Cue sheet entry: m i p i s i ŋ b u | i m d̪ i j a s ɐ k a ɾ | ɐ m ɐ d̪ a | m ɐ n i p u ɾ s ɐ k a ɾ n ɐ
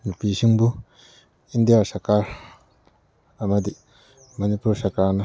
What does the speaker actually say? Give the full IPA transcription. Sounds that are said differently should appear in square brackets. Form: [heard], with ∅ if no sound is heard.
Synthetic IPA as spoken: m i p i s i ŋ b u | i [n] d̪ i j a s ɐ k a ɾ | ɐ m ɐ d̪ [i] | m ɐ n i p u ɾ s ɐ k a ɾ n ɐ